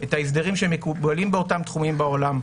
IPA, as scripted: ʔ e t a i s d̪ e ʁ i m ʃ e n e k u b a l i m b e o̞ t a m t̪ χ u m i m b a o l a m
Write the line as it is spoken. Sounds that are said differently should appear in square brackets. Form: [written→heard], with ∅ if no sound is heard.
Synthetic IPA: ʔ e t a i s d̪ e ʁ i m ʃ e [n→m] e k u b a l i m b e o̞ t a m t̪ χ u m i m b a o l a m

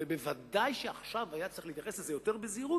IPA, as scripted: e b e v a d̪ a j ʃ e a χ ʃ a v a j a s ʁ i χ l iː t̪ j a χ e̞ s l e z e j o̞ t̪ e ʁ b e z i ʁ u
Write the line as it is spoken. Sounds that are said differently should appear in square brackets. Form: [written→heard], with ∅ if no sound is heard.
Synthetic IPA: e b e v a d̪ a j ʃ e a χ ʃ a v a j a [s→t͡s] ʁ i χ l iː t̪ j a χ e̞ s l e z e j o̞ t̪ e ʁ b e z i ʁ u

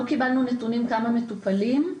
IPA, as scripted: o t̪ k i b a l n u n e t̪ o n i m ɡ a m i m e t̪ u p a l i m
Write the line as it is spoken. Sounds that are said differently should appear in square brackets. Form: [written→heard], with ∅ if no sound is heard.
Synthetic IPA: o [t̪→∅] k i b a l n u n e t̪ [o→u] n i m [ɡ→k] a m [i→a] m e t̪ u p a l i m

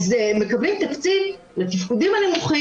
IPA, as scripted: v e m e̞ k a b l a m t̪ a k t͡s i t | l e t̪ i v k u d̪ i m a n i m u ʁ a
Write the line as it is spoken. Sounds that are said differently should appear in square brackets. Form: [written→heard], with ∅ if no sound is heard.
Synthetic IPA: [v→z] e m e̞ k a b l [a→i] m t̪ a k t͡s i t | l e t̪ i [v→f] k u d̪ i m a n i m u [ʁ→χ] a

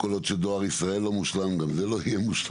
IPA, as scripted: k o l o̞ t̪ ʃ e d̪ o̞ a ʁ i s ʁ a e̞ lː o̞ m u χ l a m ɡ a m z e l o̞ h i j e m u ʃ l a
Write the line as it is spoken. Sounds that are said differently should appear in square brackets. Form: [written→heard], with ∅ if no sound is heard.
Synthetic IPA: k o l o̞ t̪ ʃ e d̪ o̞ a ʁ i s ʁ a e̞ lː o̞ m u [χ→ʃ] l a m ɡ a m z e l o̞ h i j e m u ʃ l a

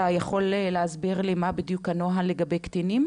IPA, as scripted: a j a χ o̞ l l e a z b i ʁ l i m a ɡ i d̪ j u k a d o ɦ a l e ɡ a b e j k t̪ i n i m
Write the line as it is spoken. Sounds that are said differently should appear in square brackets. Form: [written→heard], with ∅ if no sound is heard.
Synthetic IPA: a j a χ o̞ l l e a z b i ʁ l i m a [ɡ→b] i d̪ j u k a [d→n] o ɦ a l e ɡ a b e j k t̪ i n i m

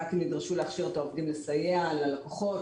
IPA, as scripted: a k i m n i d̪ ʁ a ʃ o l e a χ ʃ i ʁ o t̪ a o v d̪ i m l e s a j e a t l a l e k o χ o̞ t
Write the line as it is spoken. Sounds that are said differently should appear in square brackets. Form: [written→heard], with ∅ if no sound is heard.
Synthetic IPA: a k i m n i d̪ ʁ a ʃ [o→u] l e a χ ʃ i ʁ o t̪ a o v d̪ i m l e s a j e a [t→∅] l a l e k o χ o̞ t

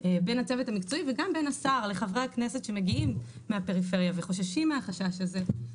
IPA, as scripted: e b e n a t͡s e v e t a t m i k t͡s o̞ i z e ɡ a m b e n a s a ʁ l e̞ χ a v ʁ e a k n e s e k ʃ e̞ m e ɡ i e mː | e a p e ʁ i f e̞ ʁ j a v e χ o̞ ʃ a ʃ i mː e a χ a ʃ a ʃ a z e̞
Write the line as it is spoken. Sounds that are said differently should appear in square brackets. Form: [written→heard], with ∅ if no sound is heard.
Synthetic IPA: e b e n a t͡s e v e t a [t→∅] m i k t͡s o̞ i [z→v] e ɡ a m b e n a s a ʁ l e̞ χ a v ʁ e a k n e s e [k→t] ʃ e̞ m e ɡ i [e→i] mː | e a p e ʁ i f e̞ ʁ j a v e χ o̞ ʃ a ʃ i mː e a χ a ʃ a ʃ a z e̞

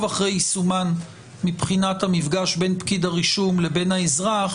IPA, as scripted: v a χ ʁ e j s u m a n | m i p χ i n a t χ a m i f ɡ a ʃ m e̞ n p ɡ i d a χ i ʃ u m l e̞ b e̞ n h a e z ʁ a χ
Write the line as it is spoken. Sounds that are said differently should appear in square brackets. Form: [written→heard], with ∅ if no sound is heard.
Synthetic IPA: v a χ ʁ e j s u m a n | m i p χ i n a t [χ→h] a m i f ɡ a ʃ [m→b] e̞ n p [ɡ→k] i d a [χ→ʁ] i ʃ u m l e̞ b e̞ n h a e z ʁ a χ

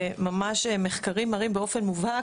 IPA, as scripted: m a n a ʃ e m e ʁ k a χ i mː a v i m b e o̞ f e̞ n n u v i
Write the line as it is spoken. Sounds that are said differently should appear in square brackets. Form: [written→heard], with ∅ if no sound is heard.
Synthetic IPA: m a [n→m] a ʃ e m e [ʁ→χ] k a [χ→ʁ] i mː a [v→ʁ] i m b e o̞ f e̞ n [n→m] u v [i→a]

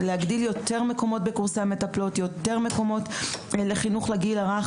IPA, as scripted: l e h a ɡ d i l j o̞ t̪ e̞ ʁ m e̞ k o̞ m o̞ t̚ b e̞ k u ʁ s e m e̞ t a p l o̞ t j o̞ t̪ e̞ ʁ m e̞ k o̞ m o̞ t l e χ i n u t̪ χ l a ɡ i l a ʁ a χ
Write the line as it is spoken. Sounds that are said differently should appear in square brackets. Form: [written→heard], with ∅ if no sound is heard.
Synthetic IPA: l e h a ɡ d i l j o̞ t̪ e̞ ʁ m e̞ k o̞ m o̞ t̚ b e̞ k u ʁ s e m e̞ t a p l o̞ t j o̞ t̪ e̞ ʁ m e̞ k o̞ m o̞ t l e χ i n u [t̪→∅] χ l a ɡ i l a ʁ a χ

